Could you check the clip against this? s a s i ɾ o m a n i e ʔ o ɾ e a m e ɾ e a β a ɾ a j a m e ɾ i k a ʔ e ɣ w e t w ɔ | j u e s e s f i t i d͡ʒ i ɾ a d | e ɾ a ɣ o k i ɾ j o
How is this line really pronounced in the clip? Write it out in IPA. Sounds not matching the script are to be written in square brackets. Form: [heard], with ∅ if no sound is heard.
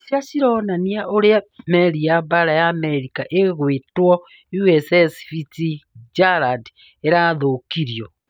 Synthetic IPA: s a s i ɾ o [n] a n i [a] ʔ o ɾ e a m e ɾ [i] a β a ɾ a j a m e ɾ i k a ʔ e ɣ w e t w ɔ | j u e s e s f i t i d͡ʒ [a] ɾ a d | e ɾ a [ð] o k i ɾ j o